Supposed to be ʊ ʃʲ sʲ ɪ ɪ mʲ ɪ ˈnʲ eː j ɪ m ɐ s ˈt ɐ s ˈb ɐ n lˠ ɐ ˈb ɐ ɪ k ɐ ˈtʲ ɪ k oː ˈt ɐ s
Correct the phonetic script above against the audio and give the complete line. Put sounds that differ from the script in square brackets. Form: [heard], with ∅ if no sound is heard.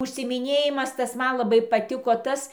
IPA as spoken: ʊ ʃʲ sʲ ɪ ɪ mʲ ɪ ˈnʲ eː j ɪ m ɐ s ˈt ɐ s [ˈm] ɐ n lˠ ɐ ˈb ɐ ɪ [p] ɐ ˈtʲ ɪ k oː ˈt ɐ s